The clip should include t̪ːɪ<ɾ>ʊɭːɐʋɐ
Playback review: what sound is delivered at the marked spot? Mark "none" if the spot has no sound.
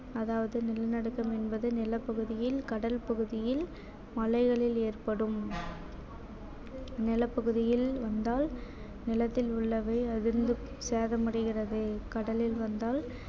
l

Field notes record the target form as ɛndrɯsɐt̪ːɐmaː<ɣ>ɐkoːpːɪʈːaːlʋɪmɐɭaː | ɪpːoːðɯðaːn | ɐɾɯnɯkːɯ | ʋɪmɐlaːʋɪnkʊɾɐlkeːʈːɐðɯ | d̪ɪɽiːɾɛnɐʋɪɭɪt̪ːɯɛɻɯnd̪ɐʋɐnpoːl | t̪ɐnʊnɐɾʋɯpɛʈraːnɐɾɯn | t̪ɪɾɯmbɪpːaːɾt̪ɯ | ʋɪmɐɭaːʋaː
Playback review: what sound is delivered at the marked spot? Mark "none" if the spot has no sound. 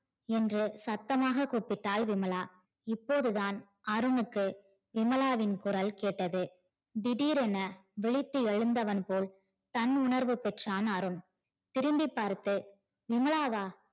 ɣ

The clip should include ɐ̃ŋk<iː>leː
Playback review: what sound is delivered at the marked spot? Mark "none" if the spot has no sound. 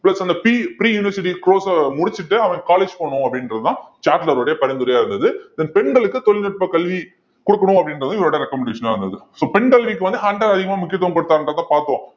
aː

